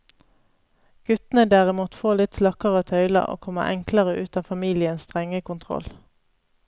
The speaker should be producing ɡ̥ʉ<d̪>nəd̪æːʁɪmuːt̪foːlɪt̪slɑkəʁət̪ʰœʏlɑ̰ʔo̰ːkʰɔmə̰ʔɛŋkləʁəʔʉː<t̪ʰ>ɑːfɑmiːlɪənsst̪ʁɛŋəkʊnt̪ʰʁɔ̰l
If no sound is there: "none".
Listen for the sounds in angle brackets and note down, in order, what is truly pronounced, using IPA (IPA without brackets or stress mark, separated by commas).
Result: t̪, t̪